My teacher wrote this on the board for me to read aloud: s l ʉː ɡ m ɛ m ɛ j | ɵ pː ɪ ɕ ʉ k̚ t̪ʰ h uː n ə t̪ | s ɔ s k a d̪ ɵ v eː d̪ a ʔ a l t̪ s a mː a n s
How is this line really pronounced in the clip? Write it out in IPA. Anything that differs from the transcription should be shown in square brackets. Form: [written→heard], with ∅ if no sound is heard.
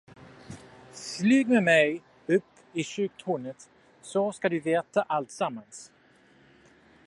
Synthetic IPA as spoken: s l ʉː ɡ m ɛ m ɛ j | ɵ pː ɪ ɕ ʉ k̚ t̪ʰ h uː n ə t̪ | s ɔ s k a d̪ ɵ v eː [d̪→t̪] a ʔ a l t̪ s a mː a n s

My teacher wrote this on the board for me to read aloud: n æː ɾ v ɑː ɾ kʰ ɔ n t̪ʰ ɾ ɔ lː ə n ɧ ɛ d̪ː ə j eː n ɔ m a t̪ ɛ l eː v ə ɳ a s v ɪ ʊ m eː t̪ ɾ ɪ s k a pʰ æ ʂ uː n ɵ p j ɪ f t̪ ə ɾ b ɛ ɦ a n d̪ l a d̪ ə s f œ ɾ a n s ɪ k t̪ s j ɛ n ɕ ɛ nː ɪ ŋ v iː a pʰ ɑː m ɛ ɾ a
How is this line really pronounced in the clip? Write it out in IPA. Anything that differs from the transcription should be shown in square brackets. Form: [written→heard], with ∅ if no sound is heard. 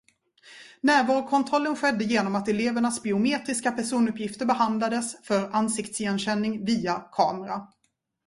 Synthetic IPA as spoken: n æː ɾ v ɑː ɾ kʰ ɔ n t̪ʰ ɾ ɔ lː ə n ɧ ɛ d̪ː ə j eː n ɔ m a t̪ ɛ l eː v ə ɳ a s [v→b] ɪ ʊ m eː t̪ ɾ ɪ s k a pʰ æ ʂ uː n ɵ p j ɪ f t̪ ə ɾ b ɛ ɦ a n d̪ l a d̪ ə s f œ ɾ a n s ɪ k t̪ s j ɛ n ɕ ɛ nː ɪ ŋ v iː a [pʰ→kʰ] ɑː m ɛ ɾ a

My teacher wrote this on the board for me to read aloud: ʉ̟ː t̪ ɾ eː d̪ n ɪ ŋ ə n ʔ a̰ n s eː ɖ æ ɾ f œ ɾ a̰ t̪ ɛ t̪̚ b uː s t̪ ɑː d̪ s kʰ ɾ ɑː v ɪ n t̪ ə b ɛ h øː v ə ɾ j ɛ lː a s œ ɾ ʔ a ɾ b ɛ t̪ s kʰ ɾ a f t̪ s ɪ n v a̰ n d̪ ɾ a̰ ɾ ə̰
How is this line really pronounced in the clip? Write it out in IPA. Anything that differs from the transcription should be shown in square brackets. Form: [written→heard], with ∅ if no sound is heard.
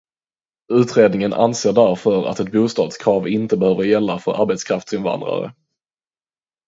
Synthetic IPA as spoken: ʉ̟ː t̪ ɾ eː d̪ n ɪ ŋ ə n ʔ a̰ n s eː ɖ æ ɾ f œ ɾ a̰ t̪ ɛ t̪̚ b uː s t̪ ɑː d̪ s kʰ ɾ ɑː v ɪ n t̪ ə b ɛ h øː v ə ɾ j ɛ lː a [s→f] œ ɾ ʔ a ɾ b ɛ t̪ s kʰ ɾ a f t̪ s ɪ n v a̰ n d̪ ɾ a̰ ɾ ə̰

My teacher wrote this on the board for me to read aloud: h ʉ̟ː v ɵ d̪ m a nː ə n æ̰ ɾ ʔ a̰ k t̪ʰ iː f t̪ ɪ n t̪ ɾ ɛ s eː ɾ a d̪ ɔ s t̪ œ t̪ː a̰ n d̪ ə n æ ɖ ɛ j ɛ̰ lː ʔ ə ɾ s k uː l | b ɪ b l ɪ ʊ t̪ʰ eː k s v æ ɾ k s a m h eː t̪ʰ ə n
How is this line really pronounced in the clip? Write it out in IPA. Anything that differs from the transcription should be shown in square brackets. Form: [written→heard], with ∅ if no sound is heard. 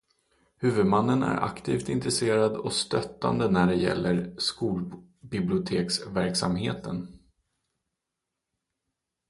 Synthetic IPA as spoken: h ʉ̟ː v ɵ d̪ m a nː ə n æ̰ ɾ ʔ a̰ k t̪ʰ iː f t̪ ɪ n t̪ ɾ ɛ s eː ɾ a d̪ ɔ s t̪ œ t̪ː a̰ n d̪ ə n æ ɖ ɛ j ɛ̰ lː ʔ ə ɾ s k uː l | b ɪ b l ɪ ʊ t̪ʰ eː k s v æ ɾ k s a m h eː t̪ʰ ə n

